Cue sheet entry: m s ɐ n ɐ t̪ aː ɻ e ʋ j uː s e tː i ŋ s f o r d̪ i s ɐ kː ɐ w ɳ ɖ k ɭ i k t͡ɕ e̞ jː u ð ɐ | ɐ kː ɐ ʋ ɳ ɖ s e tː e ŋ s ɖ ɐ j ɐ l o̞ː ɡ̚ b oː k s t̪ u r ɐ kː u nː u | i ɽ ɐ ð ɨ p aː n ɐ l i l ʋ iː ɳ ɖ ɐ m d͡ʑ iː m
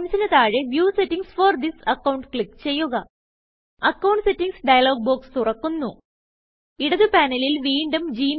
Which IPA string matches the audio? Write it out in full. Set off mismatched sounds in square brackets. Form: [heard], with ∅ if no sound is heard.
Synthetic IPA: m s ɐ n ɐ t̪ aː ɻ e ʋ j uː s e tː i ŋ s f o r d̪ i s ɐ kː ɐ w ɳ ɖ k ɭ i k t͡ɕ e̞ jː u [ɣ] ɐ | ɐ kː ɐ [w] ɳ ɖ s e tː [i] ŋ s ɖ ɐ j ɐ l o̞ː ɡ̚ b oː k s t̪ u r ɐ kː u nː u | i ɽ ɐ ð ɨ p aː n ɐ l i l ʋ iː ɳ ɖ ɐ m d͡ʑ iː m